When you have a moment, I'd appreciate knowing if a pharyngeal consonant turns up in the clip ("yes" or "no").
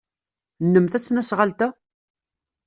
no